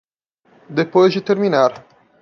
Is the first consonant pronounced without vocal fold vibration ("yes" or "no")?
no